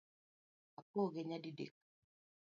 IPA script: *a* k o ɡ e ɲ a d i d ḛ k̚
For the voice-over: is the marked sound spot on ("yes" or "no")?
yes